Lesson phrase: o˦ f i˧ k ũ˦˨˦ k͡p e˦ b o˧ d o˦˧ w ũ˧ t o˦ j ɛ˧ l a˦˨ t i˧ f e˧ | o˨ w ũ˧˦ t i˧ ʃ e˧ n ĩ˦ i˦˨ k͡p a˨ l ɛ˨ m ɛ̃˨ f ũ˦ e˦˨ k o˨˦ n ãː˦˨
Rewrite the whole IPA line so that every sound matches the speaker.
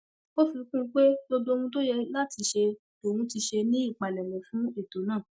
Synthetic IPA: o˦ f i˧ k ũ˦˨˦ k͡p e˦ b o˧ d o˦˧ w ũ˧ t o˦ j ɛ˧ l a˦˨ t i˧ ʃ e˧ | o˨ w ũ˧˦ t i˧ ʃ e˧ n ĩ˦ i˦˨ k͡p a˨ l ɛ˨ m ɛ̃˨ f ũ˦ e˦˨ t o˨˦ n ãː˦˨

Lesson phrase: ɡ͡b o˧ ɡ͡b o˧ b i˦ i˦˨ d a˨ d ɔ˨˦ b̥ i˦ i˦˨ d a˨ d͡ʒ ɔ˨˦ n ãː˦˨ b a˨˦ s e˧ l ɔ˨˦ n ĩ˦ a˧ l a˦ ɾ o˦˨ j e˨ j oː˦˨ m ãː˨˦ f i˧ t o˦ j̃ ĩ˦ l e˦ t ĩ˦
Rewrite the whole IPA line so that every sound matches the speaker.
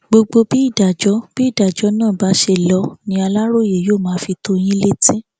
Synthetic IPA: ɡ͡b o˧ ɡ͡b o˧ b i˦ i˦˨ d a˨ d͡ʒ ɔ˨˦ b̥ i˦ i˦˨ d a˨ d͡ʒ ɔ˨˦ n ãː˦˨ b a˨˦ ʃ e˧ l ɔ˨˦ n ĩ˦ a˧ l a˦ ɾ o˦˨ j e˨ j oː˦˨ m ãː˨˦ f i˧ t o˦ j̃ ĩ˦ l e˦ t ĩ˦

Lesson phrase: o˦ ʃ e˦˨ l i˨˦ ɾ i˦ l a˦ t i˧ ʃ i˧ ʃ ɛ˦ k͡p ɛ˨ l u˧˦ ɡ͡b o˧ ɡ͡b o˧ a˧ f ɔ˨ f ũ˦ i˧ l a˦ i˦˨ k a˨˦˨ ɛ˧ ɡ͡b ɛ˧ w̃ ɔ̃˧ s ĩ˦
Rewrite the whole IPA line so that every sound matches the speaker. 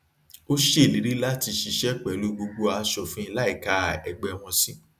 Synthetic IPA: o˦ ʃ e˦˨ l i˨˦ ɾ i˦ l a˦ t i˧ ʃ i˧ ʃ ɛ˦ k͡p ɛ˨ l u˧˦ ɡ͡b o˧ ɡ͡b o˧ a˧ ʃ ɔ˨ f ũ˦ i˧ l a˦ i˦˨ k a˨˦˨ ɛ˧ ɡ͡b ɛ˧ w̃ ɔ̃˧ s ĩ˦

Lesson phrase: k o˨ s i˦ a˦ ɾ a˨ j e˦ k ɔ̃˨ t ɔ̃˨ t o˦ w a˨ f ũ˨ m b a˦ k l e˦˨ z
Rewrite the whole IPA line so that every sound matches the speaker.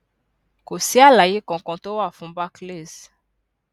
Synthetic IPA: k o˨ s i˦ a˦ l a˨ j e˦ k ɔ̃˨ k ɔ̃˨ t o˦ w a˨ f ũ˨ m b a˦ k l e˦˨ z

